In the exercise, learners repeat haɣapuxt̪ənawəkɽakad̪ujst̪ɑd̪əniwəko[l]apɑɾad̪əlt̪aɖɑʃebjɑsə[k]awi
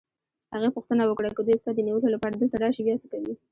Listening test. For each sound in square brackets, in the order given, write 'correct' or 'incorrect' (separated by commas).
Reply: correct, correct